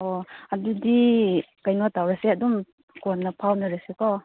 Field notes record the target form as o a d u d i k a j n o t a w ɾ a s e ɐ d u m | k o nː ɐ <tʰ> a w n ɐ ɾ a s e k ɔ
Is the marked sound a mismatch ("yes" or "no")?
yes